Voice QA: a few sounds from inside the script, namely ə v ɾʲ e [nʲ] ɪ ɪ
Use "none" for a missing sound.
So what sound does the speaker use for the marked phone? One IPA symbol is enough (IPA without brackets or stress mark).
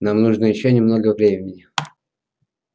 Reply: mʲ